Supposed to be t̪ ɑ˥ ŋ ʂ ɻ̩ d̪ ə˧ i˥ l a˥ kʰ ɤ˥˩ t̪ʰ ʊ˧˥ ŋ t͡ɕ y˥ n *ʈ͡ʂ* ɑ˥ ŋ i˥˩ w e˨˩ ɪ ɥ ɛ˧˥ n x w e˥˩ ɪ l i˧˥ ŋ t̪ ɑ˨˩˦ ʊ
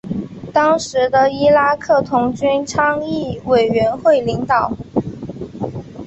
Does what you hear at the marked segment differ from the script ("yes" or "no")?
yes